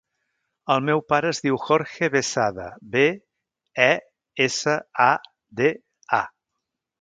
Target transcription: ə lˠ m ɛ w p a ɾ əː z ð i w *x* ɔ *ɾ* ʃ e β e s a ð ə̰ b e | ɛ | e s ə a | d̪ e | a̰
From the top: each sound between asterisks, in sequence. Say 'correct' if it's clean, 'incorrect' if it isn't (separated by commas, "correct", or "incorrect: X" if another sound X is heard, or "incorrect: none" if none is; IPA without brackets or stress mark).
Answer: correct, correct